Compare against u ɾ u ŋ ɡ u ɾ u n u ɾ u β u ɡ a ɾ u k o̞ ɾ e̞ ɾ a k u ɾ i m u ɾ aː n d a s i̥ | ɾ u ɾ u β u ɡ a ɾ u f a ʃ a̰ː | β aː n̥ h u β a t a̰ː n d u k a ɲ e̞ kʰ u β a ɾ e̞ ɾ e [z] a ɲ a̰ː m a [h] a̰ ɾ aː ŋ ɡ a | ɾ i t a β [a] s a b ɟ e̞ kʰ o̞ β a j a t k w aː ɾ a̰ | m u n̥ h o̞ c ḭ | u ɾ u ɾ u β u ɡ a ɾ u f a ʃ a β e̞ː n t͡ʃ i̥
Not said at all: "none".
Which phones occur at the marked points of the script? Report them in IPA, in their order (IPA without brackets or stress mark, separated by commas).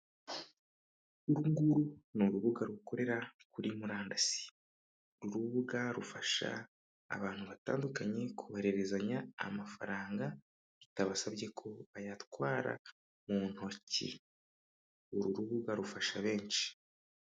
z, f, a